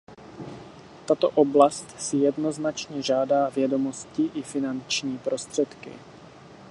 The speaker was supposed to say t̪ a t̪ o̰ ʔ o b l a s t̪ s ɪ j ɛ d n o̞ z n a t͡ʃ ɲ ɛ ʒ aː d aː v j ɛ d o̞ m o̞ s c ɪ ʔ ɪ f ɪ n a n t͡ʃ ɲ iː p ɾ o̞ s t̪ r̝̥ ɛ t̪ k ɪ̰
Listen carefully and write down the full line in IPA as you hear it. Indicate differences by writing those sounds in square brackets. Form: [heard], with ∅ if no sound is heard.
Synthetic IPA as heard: t̪ a t̪ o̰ ʔ o b l a s t̪ s ɪ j ɛ d n o̞ z n a t͡ʃ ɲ ɛ ʒ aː d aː v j ɛ d o̞ m o̞ s c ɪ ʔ ɪ f ɪ n a n t͡ʃ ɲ iː p ɾ o̞ s t̪ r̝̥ ɛ t̪ k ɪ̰